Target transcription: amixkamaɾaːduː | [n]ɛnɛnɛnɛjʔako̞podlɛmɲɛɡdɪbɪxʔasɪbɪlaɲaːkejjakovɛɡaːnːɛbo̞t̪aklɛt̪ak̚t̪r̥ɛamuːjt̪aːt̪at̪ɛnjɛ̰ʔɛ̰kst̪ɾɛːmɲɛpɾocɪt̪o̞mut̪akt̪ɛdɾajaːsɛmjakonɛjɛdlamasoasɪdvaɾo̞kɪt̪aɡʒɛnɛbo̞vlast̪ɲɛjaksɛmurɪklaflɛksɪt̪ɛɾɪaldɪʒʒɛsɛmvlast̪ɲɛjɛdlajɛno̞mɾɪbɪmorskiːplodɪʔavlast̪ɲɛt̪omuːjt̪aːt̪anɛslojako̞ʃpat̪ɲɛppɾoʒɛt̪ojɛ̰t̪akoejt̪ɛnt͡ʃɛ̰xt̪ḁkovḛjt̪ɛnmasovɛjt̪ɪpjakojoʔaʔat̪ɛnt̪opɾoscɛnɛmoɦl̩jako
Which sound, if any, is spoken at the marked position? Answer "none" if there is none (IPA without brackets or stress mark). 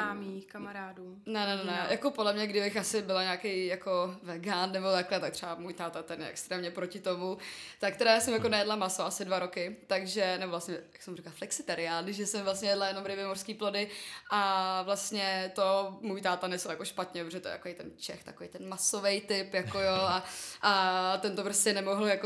n